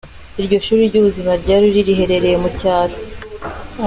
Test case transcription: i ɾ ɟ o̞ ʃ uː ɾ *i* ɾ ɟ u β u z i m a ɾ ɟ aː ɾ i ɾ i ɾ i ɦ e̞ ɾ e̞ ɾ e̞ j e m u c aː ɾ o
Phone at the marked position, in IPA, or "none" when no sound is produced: i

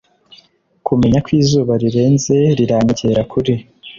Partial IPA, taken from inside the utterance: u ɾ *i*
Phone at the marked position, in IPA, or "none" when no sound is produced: i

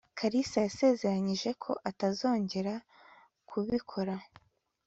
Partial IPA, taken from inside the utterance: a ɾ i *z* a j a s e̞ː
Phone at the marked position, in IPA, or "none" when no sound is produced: s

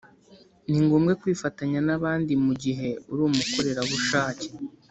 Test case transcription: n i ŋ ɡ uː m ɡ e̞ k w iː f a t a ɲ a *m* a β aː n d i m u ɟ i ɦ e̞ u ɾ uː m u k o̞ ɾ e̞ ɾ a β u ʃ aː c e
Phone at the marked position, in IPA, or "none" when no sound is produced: n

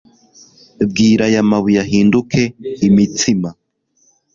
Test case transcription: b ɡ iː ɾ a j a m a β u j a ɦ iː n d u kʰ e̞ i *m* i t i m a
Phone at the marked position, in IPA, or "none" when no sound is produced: m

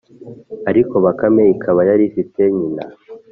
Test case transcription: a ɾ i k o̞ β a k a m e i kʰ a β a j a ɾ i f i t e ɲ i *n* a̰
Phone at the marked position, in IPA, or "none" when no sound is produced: n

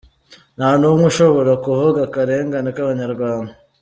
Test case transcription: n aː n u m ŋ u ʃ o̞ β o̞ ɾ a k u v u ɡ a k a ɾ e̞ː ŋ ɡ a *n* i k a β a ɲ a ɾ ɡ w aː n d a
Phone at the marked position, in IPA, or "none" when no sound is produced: n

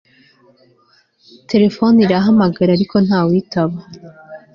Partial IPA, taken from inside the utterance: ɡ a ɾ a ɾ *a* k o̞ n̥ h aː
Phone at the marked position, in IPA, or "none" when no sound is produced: i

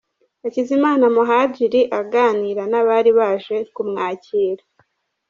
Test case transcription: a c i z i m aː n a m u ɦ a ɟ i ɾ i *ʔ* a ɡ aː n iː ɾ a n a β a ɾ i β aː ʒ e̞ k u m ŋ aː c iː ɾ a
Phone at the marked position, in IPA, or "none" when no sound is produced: ʔ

